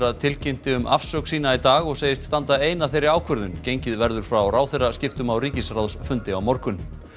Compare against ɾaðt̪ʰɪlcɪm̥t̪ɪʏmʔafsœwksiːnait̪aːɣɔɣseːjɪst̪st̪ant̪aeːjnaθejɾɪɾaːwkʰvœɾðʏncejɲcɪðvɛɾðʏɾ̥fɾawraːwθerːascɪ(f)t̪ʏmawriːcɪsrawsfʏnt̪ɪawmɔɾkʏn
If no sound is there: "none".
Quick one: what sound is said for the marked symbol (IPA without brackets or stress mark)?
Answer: f